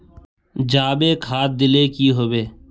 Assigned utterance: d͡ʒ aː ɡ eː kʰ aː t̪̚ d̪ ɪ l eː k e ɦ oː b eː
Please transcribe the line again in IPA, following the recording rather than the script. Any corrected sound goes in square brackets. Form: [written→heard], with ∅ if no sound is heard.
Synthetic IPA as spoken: d͡ʒ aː [ɡ→b] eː kʰ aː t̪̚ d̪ ɪ l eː k [e→i] ɦ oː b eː